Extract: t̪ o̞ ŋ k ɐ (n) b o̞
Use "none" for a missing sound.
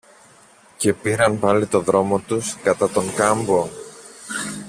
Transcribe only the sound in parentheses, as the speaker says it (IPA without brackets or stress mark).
m